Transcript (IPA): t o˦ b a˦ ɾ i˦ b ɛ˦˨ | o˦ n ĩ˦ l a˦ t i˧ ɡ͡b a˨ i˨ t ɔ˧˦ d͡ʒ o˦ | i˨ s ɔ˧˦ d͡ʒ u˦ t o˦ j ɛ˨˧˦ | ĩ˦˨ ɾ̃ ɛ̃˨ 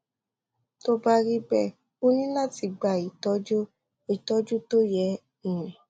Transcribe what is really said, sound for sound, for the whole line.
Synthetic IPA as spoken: t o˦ b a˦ ɾ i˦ b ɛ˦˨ | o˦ n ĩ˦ l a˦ t i˧ ɡ͡b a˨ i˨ t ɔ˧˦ d͡ʒ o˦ | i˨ t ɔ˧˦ d͡ʒ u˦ t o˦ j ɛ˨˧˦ | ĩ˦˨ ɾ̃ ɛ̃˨